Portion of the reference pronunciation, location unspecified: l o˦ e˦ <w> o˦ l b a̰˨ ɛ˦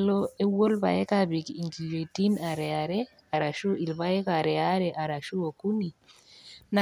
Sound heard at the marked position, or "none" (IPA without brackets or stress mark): w